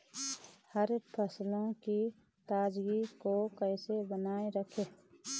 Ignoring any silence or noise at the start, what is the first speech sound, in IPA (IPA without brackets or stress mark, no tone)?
h